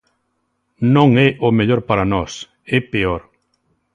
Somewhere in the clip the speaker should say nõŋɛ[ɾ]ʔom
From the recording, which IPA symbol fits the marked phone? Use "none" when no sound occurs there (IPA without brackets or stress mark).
none